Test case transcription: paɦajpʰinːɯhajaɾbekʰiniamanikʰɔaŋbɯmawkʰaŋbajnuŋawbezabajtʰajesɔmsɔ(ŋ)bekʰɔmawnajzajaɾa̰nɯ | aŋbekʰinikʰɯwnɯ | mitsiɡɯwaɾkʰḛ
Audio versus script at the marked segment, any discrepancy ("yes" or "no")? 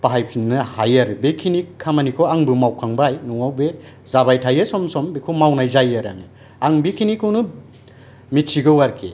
yes